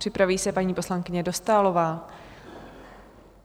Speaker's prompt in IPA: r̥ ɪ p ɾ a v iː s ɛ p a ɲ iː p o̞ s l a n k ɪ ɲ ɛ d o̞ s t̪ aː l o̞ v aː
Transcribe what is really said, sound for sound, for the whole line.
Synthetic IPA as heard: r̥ ɪ p ɾ a v iː s ɛ p a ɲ iː p o̞ s l a ŋ k ɪ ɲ ɛ d o̞ s t̪ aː l o̞ v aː